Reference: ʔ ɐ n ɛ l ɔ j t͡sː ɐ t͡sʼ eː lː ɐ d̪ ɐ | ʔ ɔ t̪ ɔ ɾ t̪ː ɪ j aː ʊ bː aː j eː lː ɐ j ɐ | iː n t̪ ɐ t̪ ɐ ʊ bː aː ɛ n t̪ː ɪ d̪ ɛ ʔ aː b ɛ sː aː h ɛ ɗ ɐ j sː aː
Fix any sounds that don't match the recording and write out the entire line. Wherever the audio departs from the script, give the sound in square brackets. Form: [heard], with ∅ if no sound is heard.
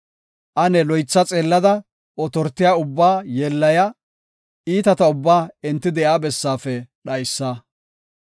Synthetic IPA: ʔ ɐ n ɛ l ɔ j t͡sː ɐ t͡sʼ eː lː ɐ d̪ ɐ | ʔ ɔ t̪ ɔ ɾ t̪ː ɪ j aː ʊ bː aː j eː lː ɐ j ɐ | iː [∅] t̪ ɐ t̪ ɐ ʊ bː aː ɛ n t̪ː ɪ d̪ ɛ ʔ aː b ɛ sː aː [f] ɛ ɗ ɐ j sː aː